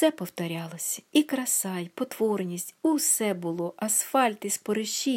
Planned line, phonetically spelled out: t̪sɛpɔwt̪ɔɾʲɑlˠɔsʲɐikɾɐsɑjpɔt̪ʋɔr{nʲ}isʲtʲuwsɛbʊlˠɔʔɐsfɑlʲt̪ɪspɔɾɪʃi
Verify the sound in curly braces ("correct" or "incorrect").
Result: correct